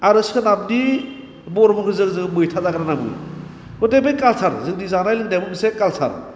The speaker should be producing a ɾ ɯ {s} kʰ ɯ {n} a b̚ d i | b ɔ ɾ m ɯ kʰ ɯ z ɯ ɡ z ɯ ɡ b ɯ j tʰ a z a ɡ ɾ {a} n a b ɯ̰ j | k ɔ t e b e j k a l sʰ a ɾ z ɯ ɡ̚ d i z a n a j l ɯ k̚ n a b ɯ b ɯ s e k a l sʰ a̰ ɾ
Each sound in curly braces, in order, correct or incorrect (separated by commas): correct, correct, correct